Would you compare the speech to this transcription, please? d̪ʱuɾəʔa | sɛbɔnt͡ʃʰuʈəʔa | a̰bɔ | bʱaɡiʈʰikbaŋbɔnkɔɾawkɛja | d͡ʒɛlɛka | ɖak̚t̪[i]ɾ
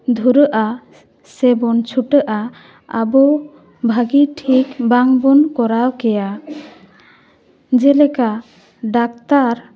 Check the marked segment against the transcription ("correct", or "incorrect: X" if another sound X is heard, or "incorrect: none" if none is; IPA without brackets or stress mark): incorrect: a